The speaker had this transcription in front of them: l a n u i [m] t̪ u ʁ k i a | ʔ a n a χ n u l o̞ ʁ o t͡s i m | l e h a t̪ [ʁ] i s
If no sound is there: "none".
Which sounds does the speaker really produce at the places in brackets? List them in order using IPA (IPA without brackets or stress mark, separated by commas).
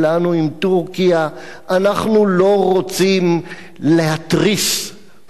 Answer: m, ʁ